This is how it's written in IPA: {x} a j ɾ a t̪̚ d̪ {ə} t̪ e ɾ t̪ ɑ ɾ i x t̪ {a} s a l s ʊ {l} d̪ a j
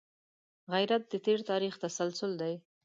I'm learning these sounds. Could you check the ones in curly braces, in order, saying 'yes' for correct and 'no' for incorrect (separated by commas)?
no, yes, yes, yes